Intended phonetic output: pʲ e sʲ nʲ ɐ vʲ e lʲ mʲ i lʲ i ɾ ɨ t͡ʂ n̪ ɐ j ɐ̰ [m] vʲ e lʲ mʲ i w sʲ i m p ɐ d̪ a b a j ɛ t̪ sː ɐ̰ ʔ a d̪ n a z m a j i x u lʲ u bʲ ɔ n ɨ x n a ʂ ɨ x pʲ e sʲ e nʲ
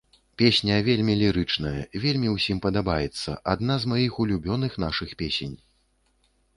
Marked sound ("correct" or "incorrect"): incorrect